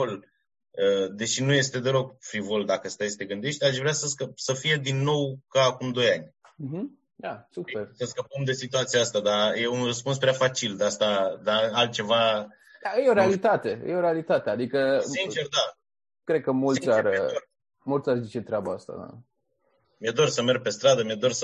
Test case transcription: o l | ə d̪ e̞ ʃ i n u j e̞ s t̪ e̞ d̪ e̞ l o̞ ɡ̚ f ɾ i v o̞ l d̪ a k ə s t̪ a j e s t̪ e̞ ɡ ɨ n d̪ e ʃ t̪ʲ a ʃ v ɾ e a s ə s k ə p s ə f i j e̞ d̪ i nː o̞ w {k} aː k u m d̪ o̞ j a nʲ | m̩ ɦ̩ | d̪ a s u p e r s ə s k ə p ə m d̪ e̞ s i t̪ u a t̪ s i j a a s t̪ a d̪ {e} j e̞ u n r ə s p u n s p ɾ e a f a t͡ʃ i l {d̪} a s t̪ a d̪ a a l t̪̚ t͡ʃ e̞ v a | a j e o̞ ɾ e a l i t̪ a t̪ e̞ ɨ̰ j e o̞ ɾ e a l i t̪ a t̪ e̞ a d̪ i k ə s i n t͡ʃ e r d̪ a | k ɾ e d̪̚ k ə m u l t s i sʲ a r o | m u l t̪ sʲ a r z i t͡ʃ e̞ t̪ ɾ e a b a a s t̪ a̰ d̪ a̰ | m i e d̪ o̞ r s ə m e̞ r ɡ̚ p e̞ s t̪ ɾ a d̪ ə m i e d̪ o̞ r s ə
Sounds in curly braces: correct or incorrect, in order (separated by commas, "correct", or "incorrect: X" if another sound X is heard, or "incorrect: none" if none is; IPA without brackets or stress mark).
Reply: correct, incorrect: a, correct